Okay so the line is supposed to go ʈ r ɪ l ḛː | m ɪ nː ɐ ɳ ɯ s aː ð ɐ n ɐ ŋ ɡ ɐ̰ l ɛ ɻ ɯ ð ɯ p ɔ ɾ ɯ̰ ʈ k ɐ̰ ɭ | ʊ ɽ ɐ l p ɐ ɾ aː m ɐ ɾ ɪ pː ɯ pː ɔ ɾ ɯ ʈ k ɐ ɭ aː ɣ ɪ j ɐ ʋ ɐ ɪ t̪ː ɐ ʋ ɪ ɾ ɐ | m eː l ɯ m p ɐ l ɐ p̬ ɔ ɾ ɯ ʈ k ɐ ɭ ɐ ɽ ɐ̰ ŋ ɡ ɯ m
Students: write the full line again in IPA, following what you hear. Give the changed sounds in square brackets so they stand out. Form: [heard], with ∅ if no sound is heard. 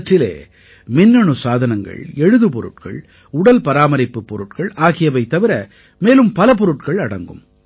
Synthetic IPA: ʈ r ɪ l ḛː | m ɪ nː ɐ ɳ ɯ s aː ð ɐ n ɐ ŋ ɡ ɐ̰ [ɭ] ɛ ɻ ɯ ð ɯ p ɔ ɾ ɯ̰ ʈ k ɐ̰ ɭ | ʊ ɽ ɐ l p ɐ ɾ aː m ɐ ɾ ɪ pː ɯ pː ɔ ɾ ɯ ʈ k ɐ ɭ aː ɣ ɪ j ɐ ʋ ɐ ɪ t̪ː ɐ ʋ ɪ ɾ ɐ | m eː l ɯ m p ɐ l ɐ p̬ ɔ ɾ ɯ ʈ k ɐ ɭ ɐ ɽ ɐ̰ ŋ ɡ ɯ m

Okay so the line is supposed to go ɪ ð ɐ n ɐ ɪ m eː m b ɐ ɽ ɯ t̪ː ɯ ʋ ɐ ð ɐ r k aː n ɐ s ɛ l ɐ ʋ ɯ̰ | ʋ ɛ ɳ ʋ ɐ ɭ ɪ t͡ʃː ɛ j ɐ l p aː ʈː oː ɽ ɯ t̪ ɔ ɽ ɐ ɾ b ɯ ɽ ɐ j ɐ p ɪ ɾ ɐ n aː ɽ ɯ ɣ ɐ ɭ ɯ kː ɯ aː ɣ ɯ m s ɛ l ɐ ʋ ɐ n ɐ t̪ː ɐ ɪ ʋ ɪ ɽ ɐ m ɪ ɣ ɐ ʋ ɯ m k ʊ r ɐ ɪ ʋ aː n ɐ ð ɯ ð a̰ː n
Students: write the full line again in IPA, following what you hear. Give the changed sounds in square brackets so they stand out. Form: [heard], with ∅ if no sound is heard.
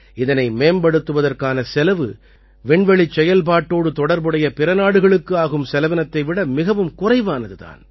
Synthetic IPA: ɪ ð ɐ n ɐ ɪ m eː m b ɐ ɽ ɯ t̪ː ɯ ʋ ɐ ð ɐ r k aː n ɐ s ɛ l ɐ ʋ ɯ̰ | ʋ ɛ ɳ ʋ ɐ ɭ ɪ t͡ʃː ɛ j ɐ l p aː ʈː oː ɽ ɯ t̪ ɔ ɽ ɐ ɾ b ɯ ɽ ɐ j ɐ p ɪ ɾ ɐ n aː ɽ ɯ ɣ ɐ ɭ ɯ kː ɯ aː ɣ ɯ m s ɛ l ɐ ʋ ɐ n ɐ t̪ː ɐ ɪ ʋ ɪ ɽ ɐ m ɪ ɣ ɐ ʋ ɯ m k ʊ r ɐ ɪ ʋ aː n ɐ ð ɯ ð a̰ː n

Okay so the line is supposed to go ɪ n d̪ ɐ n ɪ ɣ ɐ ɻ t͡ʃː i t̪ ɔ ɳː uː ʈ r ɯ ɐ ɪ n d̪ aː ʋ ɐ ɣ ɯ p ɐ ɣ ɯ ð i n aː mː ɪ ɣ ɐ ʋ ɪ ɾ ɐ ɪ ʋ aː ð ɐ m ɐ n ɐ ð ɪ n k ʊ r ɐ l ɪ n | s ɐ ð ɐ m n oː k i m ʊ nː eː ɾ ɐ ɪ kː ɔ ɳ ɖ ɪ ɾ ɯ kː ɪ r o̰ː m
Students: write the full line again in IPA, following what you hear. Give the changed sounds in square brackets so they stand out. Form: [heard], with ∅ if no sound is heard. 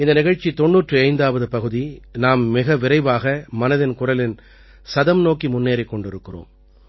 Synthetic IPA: ɪ n d̪ ɐ n ɪ ɣ ɐ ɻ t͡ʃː i t̪ ɔ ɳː uː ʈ r ɯ ɐ ɪ n d̪ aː ʋ ɐ [ð] ɯ p ɐ ɣ ɯ ð i n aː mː ɪ ɣ ɐ ʋ ɪ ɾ ɐ ɪ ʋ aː [ɣ] ɐ m ɐ n ɐ ð ɪ n k ʊ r ɐ l ɪ n | s ɐ ð ɐ m n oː k i m ʊ nː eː ɾ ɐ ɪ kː ɔ ɳ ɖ ɪ ɾ ɯ kː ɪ r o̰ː m

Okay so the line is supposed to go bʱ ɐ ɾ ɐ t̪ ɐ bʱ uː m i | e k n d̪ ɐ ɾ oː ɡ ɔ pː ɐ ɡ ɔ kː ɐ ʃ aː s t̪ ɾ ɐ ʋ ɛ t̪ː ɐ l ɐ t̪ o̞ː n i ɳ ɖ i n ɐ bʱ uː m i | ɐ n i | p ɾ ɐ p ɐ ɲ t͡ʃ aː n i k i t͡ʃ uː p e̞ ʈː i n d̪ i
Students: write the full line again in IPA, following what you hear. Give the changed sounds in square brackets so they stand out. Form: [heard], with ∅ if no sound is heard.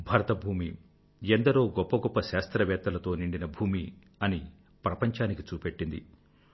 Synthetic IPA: bʱ ɐ ɾ ɐ t̪ ɐ bʱ uː m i | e [∅] n d̪ ɐ ɾ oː ɡ ɔ pː ɐ ɡ ɔ [pː] ɐ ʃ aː s t̪ ɾ ɐ ʋ [ɛː] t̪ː ɐ l ɐ t̪ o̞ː n i ɳ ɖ i n ɐ bʱ uː m i | ɐ n i | p ɾ ɐ p ɐ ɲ t͡ʃ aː n i k i t͡ʃ uː p e̞ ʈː i n d̪ i

